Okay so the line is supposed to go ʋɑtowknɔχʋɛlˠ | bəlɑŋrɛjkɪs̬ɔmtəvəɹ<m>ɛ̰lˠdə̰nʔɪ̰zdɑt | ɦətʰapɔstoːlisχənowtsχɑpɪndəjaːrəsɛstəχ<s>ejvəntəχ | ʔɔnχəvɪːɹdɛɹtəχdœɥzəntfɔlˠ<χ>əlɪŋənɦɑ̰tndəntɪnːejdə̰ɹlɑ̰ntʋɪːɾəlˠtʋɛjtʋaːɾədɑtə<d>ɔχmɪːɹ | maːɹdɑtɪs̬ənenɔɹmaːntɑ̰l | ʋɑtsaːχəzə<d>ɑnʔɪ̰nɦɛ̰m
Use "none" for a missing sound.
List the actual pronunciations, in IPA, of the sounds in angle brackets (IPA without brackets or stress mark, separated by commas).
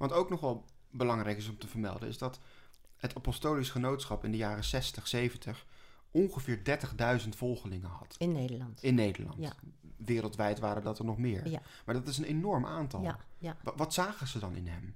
m, s, χ, n, d